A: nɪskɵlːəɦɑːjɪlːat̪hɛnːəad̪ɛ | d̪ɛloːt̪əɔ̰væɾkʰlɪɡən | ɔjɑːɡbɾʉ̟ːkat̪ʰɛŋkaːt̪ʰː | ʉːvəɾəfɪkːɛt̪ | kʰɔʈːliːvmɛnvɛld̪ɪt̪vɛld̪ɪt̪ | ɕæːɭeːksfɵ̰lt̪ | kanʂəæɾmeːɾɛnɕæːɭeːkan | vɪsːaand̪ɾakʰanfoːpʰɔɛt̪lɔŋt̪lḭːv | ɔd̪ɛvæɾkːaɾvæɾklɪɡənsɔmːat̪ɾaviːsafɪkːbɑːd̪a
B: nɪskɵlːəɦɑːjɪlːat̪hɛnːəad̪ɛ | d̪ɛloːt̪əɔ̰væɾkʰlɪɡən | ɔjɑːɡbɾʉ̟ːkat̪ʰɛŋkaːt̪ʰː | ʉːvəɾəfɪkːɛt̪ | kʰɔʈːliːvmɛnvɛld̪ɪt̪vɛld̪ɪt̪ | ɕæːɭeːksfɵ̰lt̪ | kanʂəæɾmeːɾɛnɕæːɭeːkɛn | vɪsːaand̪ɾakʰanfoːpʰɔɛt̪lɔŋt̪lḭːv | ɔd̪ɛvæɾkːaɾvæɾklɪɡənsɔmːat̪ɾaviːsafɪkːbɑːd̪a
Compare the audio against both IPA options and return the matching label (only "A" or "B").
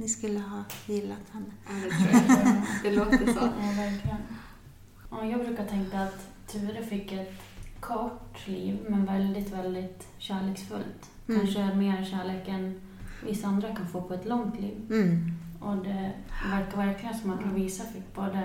B